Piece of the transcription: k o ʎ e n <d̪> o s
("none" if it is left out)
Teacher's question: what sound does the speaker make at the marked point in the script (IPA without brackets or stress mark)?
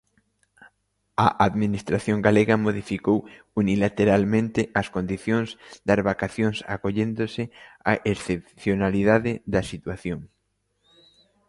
d̪